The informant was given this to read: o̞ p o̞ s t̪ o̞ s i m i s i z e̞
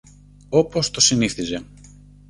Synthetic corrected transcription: o̞ p o̞ s t̪ o̞ s i n i θ i z e̞

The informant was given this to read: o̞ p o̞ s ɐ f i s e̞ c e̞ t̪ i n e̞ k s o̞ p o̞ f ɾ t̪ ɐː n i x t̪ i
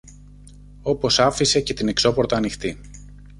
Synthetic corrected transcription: o̞ p o̞ s ɐ f i s e̞ c e̞ t̪ i n e̞ k s o̞ p o̞ ɾ t̪ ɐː n i x t̪ i

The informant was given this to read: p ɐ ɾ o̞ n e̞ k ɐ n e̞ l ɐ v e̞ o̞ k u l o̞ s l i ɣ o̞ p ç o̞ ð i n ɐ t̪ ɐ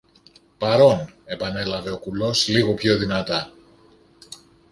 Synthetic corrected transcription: p ɐ ɾ o̞ n e̞ p ɐ n e̞ l ɐ v e̞ o̞ k u l o̞ s l i ɣ o̞ p ç o̞ ð i n ɐ t̪ ɐ

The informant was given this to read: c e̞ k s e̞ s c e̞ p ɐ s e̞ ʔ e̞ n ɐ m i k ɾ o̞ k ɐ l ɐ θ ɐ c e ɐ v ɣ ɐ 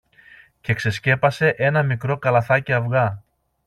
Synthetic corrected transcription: c e̞ k s e̞ s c e̞ p ɐ s e̞ ʔ e̞ n ɐ m i k ɾ o̞ k ɐ l ɐ θ ɐ c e ɐ v ɣ ɐ

